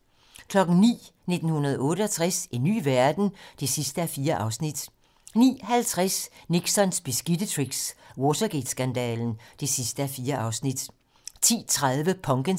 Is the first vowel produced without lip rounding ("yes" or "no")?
no